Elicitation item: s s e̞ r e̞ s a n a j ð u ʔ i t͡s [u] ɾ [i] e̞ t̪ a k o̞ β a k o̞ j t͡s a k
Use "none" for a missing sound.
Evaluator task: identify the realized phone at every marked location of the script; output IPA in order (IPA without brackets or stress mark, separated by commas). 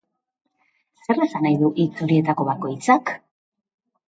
u, i